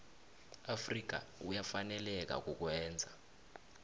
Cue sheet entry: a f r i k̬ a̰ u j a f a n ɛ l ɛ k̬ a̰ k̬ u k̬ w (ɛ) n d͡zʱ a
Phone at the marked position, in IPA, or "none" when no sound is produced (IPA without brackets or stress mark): ɛː